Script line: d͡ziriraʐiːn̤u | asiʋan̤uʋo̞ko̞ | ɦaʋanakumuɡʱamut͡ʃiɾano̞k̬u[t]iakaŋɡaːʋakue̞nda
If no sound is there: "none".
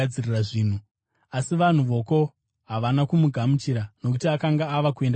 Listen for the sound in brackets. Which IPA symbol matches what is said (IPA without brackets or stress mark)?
t